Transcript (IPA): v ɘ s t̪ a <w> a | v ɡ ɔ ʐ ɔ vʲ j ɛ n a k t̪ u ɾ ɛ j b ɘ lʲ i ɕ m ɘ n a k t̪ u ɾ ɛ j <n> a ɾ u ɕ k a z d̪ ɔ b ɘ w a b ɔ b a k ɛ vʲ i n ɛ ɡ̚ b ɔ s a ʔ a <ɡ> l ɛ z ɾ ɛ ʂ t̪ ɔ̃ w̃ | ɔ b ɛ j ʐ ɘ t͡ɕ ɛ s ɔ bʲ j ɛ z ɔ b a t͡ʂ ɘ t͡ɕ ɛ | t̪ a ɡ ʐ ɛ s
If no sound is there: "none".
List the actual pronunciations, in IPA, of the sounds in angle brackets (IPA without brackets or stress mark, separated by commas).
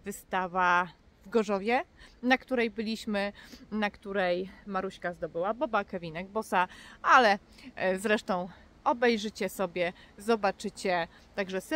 v, m, none